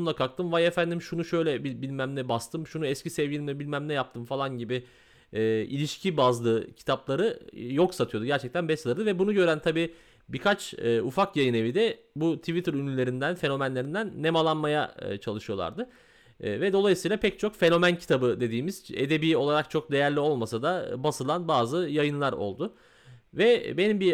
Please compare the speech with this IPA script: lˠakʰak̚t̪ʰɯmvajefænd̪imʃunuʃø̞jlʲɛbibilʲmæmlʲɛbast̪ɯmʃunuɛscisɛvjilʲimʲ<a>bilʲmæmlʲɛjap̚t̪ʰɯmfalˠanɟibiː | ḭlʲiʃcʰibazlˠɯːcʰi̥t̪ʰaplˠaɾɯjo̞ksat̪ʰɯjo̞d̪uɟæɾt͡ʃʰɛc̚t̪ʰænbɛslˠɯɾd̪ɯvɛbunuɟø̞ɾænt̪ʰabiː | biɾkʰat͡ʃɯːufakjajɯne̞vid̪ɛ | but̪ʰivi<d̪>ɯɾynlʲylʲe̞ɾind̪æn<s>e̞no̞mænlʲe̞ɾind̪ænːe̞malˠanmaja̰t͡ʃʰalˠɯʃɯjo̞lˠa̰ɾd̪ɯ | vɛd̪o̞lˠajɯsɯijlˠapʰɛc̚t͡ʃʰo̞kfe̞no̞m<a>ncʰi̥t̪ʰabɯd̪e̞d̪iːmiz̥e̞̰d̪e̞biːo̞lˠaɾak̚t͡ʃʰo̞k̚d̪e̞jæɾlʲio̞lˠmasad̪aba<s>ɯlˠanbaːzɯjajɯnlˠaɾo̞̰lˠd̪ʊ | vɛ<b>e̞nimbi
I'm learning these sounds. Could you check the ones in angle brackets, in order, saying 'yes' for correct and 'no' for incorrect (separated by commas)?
no, no, no, no, yes, yes